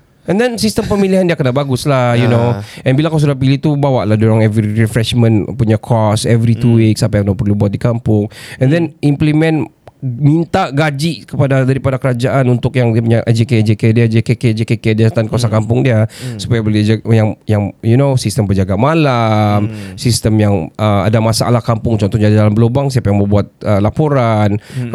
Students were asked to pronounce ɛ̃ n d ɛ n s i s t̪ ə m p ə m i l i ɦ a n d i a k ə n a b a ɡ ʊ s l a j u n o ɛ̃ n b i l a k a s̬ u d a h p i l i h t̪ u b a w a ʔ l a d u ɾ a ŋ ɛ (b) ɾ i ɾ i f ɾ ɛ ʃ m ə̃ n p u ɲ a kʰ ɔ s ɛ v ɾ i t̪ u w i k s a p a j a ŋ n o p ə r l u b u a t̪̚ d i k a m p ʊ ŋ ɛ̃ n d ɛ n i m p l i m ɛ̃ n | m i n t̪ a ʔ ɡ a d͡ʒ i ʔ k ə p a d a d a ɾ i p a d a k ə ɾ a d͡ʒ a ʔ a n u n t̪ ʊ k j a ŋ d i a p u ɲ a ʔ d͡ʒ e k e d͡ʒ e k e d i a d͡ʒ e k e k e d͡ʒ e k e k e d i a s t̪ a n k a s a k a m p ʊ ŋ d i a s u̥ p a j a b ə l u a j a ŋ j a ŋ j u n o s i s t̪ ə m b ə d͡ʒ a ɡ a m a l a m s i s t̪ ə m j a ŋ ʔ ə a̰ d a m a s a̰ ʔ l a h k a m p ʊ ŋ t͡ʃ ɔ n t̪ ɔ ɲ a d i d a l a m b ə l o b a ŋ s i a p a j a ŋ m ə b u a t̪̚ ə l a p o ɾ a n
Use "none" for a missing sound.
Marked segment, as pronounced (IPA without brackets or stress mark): v